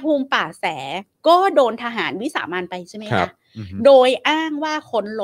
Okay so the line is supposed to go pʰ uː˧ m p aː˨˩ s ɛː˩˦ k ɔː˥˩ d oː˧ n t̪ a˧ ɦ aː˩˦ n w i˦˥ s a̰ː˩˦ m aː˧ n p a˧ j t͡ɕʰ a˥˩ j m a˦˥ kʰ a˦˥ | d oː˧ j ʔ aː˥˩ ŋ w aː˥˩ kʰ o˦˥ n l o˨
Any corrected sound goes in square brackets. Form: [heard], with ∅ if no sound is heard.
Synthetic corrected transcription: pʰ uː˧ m p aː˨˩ s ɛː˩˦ k ɔː˥˩ d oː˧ n [t̪ʰ] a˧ ɦ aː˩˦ n w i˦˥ s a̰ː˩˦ m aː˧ n p a˧ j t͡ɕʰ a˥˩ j m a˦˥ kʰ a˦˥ | d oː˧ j ʔ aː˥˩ ŋ w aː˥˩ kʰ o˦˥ n l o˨